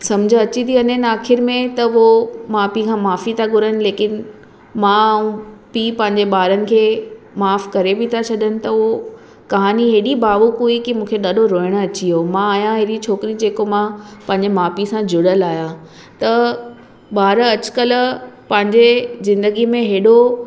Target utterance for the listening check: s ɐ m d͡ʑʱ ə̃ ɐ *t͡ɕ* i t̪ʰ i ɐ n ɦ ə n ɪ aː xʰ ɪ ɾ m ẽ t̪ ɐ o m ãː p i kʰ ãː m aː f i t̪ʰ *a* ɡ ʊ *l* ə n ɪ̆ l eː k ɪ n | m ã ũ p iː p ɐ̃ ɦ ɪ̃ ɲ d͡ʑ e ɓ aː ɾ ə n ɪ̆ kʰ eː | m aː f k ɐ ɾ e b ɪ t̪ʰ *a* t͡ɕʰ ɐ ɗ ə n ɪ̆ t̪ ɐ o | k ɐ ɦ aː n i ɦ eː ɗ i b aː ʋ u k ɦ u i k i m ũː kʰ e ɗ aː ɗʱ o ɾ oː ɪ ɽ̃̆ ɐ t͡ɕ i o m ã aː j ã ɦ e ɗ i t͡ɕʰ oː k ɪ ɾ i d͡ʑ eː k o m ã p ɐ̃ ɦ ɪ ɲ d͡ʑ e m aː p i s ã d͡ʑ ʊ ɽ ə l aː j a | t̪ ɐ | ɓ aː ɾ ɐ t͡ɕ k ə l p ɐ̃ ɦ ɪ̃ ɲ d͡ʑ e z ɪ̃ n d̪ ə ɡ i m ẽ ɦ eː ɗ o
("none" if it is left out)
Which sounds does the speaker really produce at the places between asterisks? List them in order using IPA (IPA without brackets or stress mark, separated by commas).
t͡ɕ, a, ɾ, a